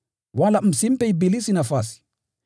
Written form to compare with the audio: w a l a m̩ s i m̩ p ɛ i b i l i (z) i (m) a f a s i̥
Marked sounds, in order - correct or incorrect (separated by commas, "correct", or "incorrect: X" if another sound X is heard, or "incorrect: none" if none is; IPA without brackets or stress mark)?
incorrect: s, incorrect: n